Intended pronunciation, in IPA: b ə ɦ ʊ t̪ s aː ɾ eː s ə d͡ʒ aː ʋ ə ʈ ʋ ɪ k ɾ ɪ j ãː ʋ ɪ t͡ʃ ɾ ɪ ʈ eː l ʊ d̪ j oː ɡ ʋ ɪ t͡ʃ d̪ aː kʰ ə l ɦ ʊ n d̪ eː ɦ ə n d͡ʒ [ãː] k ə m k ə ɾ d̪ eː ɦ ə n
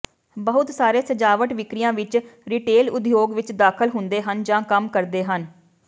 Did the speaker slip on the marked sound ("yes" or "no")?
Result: no